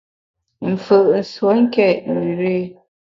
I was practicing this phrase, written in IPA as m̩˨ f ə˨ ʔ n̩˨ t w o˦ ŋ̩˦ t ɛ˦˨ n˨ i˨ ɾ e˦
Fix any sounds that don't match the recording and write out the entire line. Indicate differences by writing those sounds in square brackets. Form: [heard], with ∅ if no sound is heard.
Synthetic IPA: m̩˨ f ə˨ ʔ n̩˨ [s] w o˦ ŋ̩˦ [k] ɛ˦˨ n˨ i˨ ɾ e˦